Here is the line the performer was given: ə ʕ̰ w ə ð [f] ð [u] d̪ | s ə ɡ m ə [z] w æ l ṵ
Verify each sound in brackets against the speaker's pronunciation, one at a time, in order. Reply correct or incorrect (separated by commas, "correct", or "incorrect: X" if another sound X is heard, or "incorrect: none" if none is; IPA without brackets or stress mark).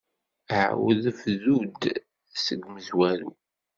correct, correct, correct